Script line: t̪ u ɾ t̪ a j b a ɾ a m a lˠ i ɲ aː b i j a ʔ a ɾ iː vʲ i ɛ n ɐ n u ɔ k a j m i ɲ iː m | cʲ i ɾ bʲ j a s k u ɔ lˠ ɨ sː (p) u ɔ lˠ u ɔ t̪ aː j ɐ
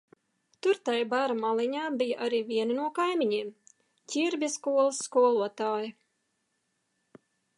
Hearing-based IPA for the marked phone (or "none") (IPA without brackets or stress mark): k